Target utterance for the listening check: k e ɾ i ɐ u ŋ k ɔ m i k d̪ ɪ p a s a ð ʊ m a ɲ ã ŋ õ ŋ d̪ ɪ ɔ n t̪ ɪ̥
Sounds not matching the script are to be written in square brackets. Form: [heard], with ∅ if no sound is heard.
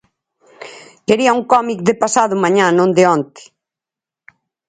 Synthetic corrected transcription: k e ɾ i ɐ u ŋ k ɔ m i k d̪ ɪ p a s a ð ʊ m a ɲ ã [n] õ [n] d̪ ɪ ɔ n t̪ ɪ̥